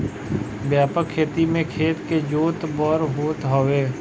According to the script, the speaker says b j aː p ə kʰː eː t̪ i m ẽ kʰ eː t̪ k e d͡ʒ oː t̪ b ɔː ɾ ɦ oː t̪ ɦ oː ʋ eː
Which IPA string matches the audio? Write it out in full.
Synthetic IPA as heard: b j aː p ə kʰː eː t̪ i m ẽ kʰ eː t̪ k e d͡ʒ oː t̪ b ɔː ɾ ɦ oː t̪ ɦ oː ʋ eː